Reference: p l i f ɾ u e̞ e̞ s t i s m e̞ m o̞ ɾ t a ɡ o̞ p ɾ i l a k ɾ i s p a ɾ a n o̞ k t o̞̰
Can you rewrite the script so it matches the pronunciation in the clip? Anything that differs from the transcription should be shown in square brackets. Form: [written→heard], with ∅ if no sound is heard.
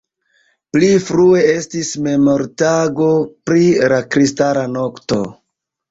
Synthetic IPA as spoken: p l i f ɾ u e̞ e̞ s t i s m e̞ m o̞ ɾ t a ɡ o̞ p ɾ i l a k ɾ i s [p→t] a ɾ a n o̞ k t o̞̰